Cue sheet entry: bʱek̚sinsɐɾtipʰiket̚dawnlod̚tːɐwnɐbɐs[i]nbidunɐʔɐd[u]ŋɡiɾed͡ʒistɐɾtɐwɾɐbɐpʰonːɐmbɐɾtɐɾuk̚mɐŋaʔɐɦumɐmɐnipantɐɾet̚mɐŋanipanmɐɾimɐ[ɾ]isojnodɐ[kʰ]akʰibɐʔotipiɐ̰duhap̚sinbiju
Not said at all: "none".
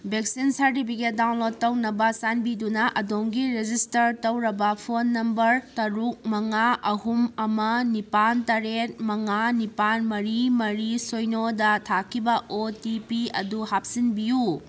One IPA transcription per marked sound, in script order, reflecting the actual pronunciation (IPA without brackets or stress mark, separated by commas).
a, o, ɾ, tʰ